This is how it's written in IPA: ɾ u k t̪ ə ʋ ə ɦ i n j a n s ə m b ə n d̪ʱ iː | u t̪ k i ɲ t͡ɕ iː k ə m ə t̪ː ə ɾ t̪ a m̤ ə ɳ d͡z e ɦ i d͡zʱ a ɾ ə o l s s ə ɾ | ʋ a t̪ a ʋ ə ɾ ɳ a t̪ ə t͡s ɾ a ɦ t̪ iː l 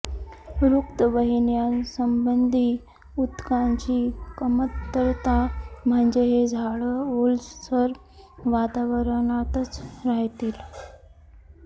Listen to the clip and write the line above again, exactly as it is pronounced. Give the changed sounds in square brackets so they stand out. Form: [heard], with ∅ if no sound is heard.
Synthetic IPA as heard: ɾ u k t̪ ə ʋ ə ɦ i n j a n s ə m b ə n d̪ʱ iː | u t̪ k [a] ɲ t͡ɕ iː k ə m ə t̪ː ə ɾ t̪ a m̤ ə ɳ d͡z e ɦ [e] d͡zʱ a [ɭ] ə o l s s ə ɾ | ʋ a t̪ a ʋ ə ɾ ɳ a t̪ ə t͡s ɾ a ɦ t̪ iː l